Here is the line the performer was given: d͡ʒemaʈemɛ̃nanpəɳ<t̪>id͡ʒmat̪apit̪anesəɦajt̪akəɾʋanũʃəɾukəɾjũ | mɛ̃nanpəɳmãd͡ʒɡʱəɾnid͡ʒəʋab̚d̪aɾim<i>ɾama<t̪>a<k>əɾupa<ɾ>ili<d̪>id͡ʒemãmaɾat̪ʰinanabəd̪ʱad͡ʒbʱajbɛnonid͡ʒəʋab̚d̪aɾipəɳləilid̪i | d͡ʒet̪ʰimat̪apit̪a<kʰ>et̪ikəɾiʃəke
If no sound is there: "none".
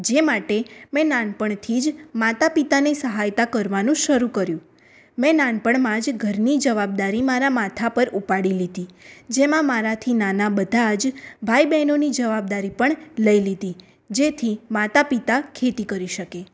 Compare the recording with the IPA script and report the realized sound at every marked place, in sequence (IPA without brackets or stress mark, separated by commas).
t̪ʰ, a, t̪ʰ, p, ɽ, d̪, kʰ